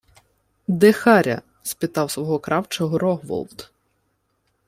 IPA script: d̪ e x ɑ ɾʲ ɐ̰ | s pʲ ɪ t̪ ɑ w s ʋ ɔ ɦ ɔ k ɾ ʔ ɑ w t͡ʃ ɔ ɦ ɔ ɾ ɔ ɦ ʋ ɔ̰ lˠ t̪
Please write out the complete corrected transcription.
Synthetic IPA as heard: d̪ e x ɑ ɾʲ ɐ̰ | s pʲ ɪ t̪ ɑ w s ʋ ɔ ɦ ɔ k ɾ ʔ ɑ w t͡ʃ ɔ ɦ ɔ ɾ ɔ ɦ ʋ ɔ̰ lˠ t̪